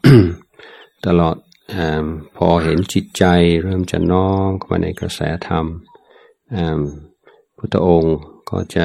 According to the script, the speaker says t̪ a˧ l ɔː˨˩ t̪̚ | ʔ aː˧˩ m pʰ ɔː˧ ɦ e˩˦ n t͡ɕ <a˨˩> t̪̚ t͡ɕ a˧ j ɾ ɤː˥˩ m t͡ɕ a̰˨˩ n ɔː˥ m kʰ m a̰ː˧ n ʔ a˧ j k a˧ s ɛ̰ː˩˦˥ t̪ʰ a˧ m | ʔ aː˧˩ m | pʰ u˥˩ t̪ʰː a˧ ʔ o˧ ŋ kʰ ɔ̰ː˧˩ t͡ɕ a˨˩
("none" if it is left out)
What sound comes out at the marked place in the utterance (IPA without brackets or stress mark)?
i˨˩